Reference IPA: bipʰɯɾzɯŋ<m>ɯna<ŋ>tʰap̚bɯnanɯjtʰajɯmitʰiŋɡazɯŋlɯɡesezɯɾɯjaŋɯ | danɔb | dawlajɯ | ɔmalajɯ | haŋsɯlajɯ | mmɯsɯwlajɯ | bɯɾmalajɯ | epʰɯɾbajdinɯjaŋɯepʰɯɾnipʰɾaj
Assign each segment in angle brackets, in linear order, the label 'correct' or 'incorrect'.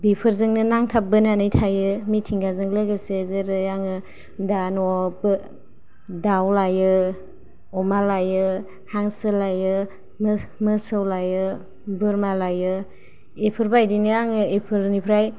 incorrect, correct

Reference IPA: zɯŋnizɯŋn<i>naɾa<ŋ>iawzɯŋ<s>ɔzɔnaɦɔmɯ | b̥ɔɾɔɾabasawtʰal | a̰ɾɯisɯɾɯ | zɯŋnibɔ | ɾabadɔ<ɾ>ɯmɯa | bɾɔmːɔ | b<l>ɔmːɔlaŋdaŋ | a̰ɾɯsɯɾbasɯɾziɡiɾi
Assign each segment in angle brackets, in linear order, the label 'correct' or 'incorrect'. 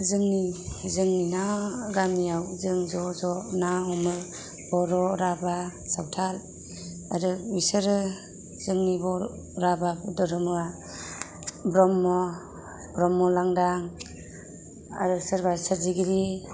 correct, incorrect, incorrect, correct, incorrect

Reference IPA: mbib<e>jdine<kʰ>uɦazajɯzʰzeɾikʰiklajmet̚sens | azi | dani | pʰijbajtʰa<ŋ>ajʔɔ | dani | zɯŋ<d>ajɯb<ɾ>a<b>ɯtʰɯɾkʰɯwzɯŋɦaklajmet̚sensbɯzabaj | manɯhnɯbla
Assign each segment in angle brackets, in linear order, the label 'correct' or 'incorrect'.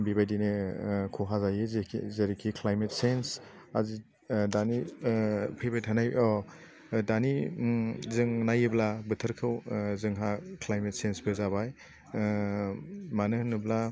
incorrect, correct, incorrect, incorrect, incorrect, correct

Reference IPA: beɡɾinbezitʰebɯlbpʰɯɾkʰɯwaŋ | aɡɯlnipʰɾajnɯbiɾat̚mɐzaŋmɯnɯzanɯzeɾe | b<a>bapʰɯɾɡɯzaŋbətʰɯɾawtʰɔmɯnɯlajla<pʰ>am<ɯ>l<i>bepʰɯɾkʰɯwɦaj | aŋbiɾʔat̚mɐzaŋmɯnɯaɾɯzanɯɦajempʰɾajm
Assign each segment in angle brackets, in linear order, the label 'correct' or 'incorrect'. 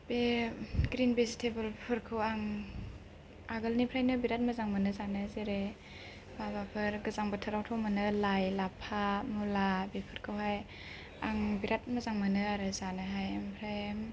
correct, correct, incorrect, incorrect

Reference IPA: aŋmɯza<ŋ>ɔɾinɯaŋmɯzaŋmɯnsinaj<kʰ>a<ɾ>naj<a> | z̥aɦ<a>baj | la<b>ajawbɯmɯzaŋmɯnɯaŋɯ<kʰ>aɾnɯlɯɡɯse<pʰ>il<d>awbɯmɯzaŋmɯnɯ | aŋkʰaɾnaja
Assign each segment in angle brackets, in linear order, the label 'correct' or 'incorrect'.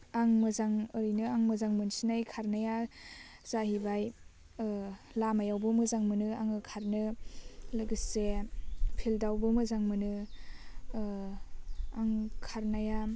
correct, correct, correct, correct, incorrect, incorrect, correct, correct, correct

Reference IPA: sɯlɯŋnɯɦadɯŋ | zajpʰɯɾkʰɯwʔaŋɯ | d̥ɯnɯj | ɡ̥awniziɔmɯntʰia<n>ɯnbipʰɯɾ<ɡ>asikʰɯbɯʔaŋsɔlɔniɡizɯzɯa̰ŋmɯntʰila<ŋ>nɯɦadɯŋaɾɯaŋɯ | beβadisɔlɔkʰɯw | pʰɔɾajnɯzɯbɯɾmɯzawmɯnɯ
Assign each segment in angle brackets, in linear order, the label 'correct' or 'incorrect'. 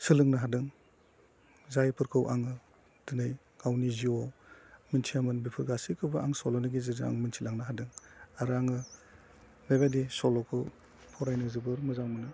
incorrect, correct, correct

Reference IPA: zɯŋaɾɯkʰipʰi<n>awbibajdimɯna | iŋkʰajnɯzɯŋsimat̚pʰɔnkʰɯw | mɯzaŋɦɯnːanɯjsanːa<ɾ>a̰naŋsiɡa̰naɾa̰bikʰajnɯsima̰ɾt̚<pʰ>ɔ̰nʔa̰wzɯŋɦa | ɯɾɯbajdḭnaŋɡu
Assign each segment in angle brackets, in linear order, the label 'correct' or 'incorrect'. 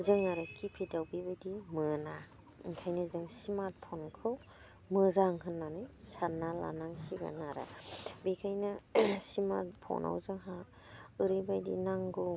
incorrect, incorrect, correct

